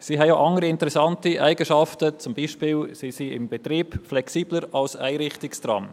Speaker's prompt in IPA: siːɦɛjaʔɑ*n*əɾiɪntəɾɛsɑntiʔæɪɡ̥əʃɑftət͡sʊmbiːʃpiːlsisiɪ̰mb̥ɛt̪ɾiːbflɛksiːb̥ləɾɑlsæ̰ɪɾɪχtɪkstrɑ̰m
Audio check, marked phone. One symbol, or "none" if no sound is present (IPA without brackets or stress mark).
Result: ŋ